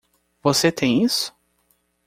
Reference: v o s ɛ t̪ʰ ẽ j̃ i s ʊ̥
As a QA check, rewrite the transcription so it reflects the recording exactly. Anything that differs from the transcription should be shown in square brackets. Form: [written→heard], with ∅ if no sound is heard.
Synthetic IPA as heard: v o s [ɛ→e] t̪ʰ ẽ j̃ i s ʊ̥